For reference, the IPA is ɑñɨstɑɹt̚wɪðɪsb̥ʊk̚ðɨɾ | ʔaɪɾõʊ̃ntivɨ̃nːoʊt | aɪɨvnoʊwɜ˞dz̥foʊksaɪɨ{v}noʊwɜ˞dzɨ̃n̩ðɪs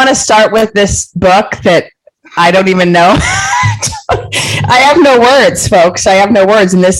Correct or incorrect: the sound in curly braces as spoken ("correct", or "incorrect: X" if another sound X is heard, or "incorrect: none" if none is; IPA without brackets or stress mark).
correct